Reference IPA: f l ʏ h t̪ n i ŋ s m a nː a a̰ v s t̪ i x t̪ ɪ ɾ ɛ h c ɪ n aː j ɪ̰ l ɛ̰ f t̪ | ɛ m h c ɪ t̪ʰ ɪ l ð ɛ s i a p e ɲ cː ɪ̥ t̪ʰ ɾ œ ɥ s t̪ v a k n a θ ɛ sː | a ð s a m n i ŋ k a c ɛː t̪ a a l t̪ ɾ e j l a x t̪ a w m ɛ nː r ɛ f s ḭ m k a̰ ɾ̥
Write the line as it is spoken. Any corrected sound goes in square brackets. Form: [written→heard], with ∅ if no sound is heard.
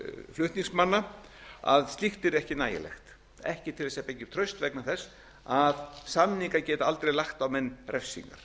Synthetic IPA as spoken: f l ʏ h t̪ n i ŋ s m a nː a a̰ [v→ð] s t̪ i x t̪ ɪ ɾ ɛ h c ɪ n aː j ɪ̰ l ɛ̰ [f→x] t̪ | ɛ [m→∅] h c ɪ t̪ʰ ɪ l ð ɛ s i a p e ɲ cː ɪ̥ t̪ʰ ɾ œ ɥ s t̪ v [a→ɛ] k n a θ ɛ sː | a ð s a m n i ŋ k a c ɛː t̪ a a l t̪ ɾ e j l a x t̪ a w m ɛ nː r ɛ f s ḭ [m→ŋ] k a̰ ɾ̥